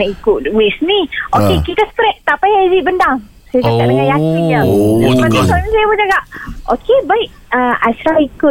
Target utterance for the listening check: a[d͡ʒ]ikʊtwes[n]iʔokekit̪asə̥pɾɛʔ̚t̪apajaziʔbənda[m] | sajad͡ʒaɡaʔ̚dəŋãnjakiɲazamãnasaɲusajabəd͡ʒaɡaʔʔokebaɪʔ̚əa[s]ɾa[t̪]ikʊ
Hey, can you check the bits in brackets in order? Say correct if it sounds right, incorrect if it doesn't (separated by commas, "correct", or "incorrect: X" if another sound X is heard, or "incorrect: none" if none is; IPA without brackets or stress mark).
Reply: incorrect: none, correct, incorrect: ŋ, correct, incorrect: none